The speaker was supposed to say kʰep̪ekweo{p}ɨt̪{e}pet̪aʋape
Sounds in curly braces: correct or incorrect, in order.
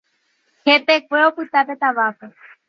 correct, incorrect: a

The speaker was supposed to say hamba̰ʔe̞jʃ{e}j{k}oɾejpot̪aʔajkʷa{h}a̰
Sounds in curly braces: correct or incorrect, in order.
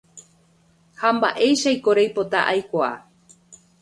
incorrect: a, correct, incorrect: none

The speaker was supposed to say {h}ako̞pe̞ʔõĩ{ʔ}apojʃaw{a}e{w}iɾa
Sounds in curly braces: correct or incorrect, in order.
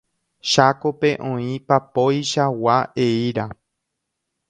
incorrect: ʃ, incorrect: p, correct, incorrect: none

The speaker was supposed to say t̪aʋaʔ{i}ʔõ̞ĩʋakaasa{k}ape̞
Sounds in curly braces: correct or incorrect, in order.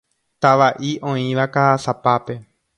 correct, incorrect: p

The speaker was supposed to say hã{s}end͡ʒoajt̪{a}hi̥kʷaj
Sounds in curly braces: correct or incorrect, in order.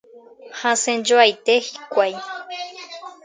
correct, incorrect: e

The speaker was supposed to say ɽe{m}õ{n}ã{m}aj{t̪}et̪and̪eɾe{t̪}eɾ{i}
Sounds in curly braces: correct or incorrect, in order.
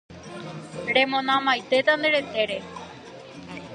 correct, correct, correct, correct, correct, incorrect: e

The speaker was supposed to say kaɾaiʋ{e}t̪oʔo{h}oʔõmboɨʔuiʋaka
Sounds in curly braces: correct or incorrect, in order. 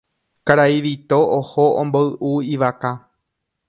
incorrect: i, correct

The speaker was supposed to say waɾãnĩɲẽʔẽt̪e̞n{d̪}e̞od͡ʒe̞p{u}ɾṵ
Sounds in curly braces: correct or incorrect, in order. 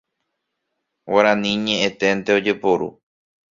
incorrect: t̪, incorrect: o

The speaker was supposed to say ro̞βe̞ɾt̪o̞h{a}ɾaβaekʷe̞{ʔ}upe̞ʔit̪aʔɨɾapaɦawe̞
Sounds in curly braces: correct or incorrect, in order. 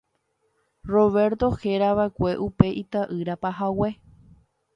incorrect: e, correct

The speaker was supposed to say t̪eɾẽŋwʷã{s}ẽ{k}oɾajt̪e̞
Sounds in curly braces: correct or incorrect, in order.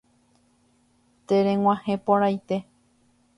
incorrect: h, incorrect: p

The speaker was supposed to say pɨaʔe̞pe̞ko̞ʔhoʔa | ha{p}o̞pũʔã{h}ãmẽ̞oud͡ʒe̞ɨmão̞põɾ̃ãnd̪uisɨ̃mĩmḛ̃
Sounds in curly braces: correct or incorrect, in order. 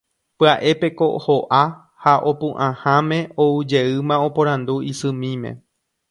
incorrect: ʔ, correct

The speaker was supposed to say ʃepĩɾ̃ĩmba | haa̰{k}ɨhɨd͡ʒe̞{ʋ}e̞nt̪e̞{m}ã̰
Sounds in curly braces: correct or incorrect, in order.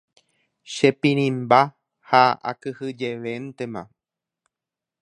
correct, correct, correct

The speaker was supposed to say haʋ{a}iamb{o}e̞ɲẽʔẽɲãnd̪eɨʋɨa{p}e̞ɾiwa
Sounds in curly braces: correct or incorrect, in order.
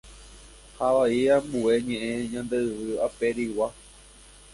correct, incorrect: u, correct

